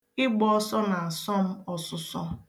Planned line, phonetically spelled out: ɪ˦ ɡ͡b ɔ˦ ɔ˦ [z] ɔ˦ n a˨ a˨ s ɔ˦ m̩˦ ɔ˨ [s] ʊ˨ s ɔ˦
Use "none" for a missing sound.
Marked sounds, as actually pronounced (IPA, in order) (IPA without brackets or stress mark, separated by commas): s, s